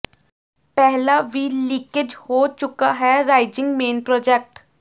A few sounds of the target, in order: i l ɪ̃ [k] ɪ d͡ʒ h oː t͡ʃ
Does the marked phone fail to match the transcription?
no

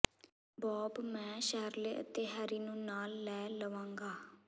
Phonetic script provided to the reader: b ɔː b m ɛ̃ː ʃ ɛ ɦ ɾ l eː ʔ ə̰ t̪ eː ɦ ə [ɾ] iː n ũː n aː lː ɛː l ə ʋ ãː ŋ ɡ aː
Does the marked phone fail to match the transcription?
no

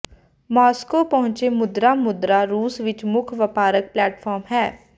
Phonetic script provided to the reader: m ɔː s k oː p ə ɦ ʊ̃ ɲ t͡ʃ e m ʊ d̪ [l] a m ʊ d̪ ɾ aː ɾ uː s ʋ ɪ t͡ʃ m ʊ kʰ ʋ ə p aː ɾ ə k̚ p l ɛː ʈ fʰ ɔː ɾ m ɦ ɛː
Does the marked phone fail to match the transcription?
yes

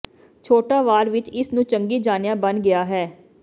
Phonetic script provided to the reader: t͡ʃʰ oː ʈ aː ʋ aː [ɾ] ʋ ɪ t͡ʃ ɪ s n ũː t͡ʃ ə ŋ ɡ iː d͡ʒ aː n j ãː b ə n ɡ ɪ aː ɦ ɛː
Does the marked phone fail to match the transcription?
no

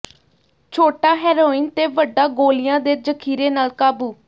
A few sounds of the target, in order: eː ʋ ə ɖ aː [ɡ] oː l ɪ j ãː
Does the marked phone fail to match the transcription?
no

